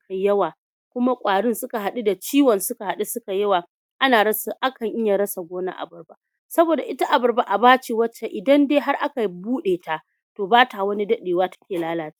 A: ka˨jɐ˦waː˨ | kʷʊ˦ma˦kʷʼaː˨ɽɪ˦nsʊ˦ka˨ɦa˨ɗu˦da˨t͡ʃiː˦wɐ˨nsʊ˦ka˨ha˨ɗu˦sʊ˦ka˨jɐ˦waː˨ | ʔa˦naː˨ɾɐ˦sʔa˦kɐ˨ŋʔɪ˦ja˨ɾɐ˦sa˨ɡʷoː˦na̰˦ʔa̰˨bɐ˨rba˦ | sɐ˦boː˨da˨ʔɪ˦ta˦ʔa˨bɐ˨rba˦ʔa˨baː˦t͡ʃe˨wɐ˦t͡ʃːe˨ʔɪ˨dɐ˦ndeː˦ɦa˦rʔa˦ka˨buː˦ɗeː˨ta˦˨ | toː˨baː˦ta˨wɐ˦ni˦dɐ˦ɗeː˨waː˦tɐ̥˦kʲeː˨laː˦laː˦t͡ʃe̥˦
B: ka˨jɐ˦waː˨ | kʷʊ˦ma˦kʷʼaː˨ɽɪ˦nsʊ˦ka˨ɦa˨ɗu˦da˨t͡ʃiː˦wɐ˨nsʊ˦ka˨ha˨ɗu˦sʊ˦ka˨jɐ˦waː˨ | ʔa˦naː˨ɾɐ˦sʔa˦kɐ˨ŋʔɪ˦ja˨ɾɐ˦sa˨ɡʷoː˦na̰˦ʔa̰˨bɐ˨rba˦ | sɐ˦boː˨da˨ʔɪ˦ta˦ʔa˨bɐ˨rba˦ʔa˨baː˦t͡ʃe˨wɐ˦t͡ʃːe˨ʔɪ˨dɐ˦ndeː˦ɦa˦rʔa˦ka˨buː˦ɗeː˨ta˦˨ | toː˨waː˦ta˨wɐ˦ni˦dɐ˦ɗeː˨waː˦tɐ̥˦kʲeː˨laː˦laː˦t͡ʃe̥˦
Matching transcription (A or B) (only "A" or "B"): A